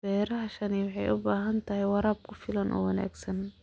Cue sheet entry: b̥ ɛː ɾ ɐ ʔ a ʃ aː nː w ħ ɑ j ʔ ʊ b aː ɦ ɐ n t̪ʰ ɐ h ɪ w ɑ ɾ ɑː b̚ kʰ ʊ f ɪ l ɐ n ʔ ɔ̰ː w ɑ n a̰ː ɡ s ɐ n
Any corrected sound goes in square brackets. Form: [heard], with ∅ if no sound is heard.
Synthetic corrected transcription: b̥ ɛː ɾ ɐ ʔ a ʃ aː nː w ħ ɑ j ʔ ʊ b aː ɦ ɐ n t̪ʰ ɐ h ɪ w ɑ ɾ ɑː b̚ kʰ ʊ f ɪ l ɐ n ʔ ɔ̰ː w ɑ n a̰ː ɡ s ɐ n